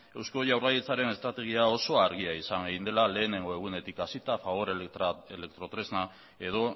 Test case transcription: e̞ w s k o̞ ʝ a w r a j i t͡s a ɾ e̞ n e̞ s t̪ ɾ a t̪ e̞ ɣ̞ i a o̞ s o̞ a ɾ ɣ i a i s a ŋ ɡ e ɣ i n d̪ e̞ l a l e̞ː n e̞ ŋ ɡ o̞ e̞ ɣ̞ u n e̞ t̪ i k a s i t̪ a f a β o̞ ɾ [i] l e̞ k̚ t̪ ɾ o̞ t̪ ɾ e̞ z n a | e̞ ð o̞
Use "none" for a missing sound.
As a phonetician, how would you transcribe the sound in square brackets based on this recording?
e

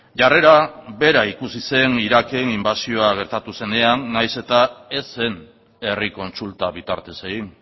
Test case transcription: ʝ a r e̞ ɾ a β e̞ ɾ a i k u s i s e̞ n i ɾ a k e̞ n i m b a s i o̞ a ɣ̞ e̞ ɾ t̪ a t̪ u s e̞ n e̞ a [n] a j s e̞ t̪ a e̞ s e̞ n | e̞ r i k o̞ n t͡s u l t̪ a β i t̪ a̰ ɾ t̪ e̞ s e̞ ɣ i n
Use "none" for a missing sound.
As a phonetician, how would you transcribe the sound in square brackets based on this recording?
nː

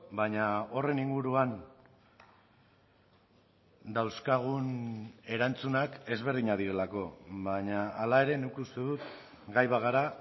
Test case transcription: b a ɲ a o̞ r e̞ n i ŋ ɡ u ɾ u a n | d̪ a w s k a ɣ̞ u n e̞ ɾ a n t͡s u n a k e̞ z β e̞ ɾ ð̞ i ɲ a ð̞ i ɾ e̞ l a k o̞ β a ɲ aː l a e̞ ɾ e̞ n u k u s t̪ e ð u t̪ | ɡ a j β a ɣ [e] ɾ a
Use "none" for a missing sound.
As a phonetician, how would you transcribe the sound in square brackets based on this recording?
a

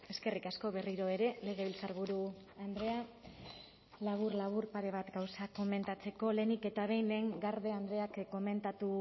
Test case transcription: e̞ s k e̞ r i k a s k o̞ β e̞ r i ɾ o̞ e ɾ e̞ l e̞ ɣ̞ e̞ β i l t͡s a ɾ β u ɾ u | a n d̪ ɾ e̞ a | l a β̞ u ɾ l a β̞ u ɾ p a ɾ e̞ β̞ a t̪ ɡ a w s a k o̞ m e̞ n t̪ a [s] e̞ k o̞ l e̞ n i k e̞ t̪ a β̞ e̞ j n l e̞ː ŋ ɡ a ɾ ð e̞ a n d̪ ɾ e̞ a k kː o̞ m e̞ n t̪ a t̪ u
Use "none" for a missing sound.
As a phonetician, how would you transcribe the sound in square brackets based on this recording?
t͡s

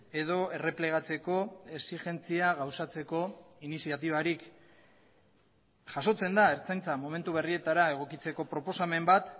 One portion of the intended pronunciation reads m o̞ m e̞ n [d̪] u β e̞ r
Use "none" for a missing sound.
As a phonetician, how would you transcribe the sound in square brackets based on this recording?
t̪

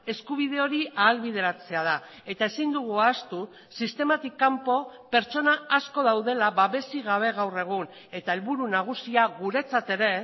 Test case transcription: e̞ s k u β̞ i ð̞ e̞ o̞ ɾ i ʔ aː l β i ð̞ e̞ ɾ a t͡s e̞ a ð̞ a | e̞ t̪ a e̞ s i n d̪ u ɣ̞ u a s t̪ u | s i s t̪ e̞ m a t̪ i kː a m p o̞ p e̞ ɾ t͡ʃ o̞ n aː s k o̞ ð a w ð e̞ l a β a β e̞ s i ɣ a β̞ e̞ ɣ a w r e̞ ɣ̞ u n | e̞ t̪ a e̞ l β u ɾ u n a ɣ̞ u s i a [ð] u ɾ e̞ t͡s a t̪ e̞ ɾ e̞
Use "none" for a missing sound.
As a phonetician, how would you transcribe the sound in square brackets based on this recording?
ɣ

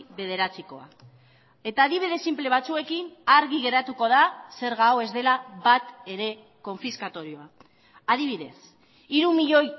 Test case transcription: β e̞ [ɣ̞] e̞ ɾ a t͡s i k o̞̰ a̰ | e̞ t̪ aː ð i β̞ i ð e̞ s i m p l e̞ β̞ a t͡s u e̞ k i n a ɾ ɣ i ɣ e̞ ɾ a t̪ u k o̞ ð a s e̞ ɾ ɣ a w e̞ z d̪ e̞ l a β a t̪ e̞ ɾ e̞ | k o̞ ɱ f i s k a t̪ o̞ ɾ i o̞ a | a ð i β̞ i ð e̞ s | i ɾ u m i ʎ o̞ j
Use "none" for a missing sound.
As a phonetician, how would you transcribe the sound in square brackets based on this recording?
ð̞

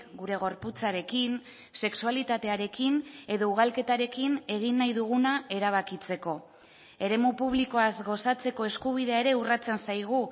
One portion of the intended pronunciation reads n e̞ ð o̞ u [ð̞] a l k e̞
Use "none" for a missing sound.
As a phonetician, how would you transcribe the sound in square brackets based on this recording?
ɣ̞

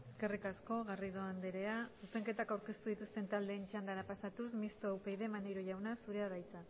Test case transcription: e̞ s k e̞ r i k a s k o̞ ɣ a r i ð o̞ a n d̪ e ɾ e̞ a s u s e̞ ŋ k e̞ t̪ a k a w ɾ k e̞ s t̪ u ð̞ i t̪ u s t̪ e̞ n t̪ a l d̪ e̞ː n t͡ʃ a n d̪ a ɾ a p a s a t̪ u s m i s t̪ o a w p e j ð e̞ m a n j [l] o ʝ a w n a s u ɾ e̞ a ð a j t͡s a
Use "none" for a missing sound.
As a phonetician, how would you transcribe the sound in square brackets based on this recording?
ɾ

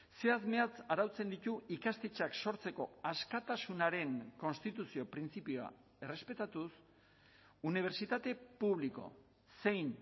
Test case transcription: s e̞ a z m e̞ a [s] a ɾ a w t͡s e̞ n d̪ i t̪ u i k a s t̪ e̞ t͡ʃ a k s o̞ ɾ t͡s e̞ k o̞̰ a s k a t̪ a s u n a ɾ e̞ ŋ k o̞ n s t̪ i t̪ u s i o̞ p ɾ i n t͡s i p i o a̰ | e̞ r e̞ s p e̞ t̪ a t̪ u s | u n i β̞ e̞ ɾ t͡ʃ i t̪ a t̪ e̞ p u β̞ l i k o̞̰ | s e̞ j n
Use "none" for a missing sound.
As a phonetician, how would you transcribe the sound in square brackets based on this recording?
t͡s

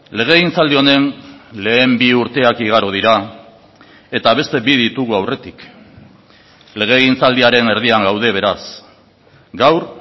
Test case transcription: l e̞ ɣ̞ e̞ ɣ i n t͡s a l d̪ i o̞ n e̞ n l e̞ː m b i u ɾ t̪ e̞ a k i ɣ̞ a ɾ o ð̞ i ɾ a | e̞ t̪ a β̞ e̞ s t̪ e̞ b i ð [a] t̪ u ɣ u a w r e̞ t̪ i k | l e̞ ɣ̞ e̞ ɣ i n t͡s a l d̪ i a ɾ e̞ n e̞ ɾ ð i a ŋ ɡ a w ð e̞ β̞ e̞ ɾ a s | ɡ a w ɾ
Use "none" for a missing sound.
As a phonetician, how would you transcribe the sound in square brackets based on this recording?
i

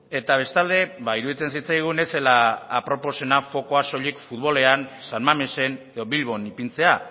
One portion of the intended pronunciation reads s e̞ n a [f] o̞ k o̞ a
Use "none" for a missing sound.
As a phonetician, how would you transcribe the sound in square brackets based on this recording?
f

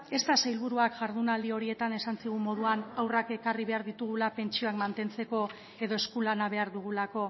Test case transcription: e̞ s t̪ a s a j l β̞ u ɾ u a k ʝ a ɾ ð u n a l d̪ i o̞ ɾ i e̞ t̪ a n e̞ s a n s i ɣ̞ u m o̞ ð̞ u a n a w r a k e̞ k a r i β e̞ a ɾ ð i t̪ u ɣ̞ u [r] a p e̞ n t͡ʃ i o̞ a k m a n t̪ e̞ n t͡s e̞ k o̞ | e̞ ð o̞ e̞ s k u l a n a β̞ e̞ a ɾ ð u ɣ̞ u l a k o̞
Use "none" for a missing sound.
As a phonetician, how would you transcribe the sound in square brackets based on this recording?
l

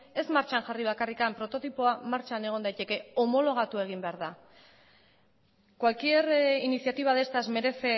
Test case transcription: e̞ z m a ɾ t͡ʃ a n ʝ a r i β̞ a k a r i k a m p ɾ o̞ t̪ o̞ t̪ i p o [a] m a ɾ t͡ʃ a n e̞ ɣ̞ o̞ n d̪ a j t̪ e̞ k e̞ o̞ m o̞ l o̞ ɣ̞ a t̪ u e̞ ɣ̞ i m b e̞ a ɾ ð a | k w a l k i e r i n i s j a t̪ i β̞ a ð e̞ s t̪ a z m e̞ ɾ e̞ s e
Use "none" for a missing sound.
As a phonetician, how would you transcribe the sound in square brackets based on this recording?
a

